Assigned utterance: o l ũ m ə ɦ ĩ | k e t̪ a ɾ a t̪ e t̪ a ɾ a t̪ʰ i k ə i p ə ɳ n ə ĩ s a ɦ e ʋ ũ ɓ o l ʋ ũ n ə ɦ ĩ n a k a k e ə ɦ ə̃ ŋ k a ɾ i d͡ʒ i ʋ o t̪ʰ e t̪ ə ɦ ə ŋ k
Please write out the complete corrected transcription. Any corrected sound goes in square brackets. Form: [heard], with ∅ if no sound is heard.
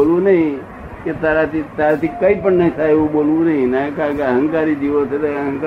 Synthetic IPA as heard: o l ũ [n] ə ɦ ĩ | k e t̪ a ɾ a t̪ [i] t̪ a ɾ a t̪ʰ i k ə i p ə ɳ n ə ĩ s a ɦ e ʋ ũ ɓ o l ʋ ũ n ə ɦ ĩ n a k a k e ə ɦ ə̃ ŋ k a ɾ i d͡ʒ i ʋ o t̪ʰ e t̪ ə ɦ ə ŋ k